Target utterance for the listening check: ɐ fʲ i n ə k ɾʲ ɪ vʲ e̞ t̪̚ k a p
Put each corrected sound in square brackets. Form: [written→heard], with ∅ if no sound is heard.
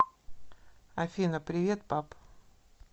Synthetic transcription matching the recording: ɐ fʲ i n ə [k→p] ɾʲ ɪ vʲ e̞ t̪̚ [k→p] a p